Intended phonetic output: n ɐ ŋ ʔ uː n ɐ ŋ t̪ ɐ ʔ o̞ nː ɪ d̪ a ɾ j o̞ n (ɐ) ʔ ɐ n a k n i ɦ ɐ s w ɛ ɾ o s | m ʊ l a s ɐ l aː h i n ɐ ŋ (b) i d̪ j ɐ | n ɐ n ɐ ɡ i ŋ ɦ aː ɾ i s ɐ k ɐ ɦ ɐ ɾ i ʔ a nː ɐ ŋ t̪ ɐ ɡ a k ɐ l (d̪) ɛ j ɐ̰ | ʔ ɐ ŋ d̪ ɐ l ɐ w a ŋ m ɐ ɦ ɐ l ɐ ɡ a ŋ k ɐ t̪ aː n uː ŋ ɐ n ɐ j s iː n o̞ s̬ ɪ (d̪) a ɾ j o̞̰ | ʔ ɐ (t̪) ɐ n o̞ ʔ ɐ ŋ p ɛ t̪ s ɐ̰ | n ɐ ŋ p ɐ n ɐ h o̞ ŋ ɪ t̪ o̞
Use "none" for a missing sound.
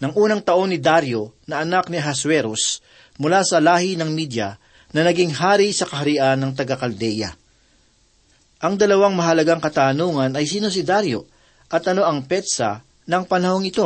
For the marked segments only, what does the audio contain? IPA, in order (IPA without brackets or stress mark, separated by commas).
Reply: ɐ, m, d̪, d̪, t̪